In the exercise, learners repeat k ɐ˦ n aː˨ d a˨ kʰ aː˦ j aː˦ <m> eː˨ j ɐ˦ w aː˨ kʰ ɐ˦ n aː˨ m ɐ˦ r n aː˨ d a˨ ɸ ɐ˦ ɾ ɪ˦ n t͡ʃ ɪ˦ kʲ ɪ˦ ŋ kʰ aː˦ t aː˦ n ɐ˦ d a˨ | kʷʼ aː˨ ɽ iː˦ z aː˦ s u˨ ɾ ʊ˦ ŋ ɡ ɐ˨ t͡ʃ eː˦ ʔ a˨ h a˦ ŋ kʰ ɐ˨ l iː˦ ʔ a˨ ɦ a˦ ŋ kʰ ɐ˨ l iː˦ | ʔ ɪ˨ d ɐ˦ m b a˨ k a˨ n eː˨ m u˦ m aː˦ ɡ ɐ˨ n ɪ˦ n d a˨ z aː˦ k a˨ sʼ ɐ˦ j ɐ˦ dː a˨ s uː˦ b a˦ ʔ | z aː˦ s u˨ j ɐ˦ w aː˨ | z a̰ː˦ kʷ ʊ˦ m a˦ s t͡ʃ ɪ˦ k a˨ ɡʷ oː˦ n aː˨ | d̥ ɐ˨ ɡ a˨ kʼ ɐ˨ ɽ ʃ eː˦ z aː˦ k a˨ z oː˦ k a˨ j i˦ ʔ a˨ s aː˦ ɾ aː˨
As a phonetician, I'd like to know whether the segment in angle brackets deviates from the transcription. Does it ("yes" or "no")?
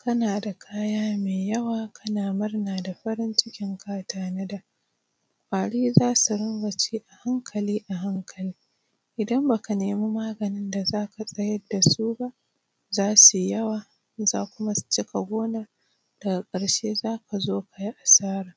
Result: no